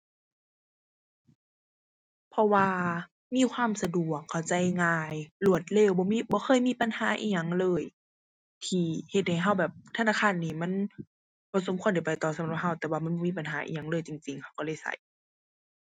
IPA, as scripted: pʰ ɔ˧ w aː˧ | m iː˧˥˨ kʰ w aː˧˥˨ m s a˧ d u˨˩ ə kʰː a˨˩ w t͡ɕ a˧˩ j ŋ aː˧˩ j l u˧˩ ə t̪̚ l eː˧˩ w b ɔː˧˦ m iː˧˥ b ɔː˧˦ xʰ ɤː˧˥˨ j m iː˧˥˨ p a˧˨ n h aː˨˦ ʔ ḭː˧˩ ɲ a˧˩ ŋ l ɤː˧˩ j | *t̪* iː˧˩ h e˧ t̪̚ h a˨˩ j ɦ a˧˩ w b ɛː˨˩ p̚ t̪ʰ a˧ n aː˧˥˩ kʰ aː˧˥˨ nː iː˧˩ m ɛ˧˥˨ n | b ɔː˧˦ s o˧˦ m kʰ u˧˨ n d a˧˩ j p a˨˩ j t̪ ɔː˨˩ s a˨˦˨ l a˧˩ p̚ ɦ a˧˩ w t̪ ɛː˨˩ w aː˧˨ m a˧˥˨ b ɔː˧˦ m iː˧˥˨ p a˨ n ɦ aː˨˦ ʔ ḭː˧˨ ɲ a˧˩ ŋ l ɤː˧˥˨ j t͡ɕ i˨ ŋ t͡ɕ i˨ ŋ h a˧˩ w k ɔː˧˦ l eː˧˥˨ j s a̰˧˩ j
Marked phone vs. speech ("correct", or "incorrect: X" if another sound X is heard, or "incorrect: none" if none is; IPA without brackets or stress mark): incorrect: t̪ʰ